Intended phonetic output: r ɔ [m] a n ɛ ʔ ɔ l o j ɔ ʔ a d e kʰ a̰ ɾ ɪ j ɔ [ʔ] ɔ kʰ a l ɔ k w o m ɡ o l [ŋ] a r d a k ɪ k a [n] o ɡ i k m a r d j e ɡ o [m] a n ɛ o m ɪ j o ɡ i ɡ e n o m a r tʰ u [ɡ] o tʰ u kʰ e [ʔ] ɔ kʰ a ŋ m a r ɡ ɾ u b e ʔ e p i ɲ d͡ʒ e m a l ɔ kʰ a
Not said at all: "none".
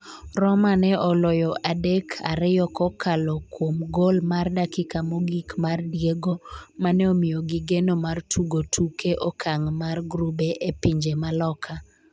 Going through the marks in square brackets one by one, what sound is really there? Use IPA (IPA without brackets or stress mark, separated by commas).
m, k, m, m, m, ɡ, ʔ